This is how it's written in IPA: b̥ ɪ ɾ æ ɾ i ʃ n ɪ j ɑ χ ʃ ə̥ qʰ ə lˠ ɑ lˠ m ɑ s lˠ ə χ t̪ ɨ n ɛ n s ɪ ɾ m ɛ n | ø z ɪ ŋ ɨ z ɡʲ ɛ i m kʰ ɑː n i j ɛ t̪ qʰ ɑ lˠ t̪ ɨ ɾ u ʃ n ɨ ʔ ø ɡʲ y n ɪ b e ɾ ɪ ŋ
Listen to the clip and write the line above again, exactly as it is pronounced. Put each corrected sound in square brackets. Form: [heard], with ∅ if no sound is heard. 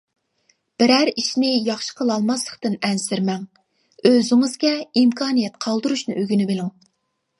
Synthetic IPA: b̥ ɪ ɾ æ ɾ i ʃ n ɪ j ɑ χ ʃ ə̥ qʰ ə lˠ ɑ lˠ m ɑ s lˠ ə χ t̪ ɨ n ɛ n s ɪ ɾ m ɛ [ŋ] | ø z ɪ ŋ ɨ z ɡʲ ɛ i m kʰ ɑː n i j ɛ t̪ qʰ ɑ lˠ [d̪] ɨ ɾ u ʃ n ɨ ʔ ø ɡʲ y n ɪ b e [l] ɪ ŋ